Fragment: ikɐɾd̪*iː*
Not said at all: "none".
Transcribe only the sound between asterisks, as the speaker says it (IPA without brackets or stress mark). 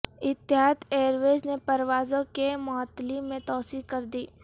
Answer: iː